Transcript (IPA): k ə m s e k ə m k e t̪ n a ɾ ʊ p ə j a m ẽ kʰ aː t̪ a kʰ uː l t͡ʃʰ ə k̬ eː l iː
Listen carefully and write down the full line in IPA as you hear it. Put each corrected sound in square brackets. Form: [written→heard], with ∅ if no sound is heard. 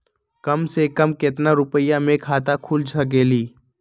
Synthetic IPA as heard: k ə m s e k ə m k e t̪ n a ɾ ʊ p ə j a m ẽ kʰ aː t̪ a kʰ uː l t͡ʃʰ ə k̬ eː l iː